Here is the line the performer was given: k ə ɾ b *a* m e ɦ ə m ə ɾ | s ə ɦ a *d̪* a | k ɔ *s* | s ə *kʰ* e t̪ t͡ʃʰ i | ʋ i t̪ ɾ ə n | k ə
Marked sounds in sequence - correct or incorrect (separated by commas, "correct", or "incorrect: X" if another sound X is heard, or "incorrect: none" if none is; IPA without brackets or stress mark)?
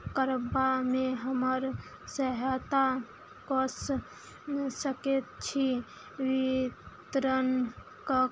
correct, incorrect: t̪, correct, incorrect: k